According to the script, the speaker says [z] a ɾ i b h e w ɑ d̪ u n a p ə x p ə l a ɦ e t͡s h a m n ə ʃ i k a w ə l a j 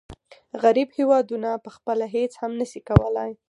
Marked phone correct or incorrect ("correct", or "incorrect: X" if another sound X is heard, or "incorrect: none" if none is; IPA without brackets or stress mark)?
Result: incorrect: ɣ